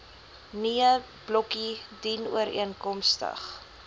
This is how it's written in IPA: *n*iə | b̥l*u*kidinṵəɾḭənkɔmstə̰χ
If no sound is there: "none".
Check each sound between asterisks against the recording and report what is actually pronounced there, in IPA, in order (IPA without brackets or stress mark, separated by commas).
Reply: n, ɔ